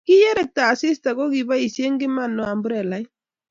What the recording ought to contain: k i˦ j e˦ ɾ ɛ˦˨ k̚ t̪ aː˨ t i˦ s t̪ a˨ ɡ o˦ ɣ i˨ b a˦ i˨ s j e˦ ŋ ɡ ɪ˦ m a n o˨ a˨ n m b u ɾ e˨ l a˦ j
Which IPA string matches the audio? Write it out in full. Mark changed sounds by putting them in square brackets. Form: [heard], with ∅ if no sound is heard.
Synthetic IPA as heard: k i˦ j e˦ ɾ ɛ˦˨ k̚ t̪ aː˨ [s] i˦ s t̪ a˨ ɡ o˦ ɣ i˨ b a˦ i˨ s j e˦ ŋ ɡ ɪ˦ m a n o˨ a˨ [∅] m b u ɾ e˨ l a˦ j

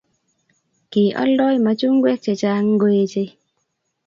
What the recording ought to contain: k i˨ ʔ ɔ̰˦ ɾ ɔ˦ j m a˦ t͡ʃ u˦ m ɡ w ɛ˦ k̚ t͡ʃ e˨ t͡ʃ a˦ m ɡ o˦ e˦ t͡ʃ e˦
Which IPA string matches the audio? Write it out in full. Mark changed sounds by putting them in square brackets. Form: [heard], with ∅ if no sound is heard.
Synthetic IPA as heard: k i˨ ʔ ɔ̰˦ [l] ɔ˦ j m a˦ t͡ʃ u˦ [ŋ] ɡ w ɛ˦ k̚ t͡ʃ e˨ t͡ʃ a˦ [ŋ] ɡ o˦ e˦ t͡ʃ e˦

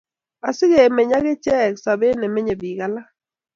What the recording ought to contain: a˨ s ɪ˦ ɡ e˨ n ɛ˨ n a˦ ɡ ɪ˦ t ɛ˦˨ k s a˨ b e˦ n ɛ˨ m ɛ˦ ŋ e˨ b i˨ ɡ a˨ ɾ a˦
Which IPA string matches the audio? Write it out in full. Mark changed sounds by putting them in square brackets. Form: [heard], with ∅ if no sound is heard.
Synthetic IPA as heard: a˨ s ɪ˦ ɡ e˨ [m] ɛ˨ [ɲ] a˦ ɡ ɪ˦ [t͡ʃ] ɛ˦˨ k s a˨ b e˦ n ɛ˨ m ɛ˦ [ɲ] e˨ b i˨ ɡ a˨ [l] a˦

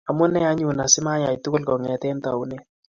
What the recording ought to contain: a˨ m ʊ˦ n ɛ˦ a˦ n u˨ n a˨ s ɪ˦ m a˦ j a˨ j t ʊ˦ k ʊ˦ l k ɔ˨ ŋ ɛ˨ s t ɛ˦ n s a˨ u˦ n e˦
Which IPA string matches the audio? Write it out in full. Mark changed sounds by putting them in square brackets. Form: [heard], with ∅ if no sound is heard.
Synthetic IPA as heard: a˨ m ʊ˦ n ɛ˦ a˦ [ɲ] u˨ n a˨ s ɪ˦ m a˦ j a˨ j t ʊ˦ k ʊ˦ l k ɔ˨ ŋ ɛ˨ [∅] t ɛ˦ n [t] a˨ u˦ n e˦

